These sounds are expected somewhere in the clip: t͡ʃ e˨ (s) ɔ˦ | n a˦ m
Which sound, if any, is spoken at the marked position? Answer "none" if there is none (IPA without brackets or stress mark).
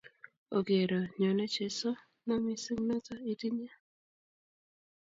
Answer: s